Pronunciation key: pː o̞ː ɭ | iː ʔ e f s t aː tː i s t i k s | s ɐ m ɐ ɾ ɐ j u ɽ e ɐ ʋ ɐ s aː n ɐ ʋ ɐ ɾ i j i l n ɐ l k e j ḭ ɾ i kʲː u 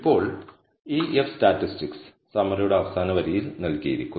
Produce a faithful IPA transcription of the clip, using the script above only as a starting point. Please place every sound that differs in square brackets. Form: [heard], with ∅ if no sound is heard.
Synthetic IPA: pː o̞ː ɭ | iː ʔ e f s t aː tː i s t i k s | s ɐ m ɐ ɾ ɐ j u ɽ e ɐ ʋ ɐ s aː n ɐ ʋ ɐ ɾ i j i l n ɐ l k [i] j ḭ ɾ i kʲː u